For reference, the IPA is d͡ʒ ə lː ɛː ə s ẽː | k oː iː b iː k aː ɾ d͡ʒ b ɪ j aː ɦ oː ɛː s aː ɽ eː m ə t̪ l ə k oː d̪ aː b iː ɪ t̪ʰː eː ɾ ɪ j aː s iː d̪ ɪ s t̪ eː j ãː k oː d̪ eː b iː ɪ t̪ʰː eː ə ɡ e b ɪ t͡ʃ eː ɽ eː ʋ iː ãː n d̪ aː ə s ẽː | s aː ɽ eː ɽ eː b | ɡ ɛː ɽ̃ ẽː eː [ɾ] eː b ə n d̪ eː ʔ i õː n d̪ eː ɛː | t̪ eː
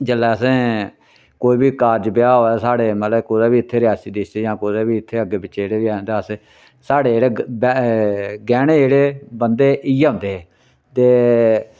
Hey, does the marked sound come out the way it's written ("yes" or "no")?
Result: no